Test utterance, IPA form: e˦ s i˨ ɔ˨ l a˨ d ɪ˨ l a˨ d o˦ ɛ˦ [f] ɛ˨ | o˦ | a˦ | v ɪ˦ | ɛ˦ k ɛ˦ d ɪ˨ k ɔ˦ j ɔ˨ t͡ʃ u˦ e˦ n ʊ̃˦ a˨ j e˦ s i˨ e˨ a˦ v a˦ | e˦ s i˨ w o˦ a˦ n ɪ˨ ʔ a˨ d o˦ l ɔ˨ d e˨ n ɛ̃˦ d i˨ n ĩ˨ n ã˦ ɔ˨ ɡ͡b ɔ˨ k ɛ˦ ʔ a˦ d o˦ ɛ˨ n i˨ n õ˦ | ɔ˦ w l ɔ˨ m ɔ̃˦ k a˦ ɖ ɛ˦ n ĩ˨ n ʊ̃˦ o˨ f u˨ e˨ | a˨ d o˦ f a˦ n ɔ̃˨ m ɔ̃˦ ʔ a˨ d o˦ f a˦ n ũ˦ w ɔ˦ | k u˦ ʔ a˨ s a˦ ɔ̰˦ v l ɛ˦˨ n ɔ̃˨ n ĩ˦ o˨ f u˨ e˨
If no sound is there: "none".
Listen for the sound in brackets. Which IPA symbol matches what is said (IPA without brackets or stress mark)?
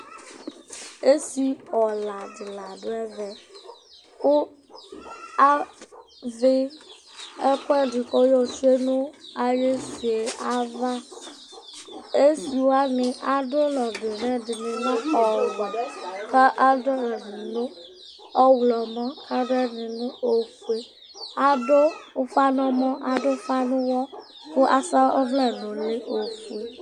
v